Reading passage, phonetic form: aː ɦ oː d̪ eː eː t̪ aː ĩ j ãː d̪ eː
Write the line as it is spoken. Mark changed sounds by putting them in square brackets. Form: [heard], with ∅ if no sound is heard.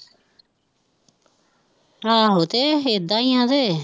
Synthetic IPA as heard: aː ɦ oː [t̪] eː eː [d̪] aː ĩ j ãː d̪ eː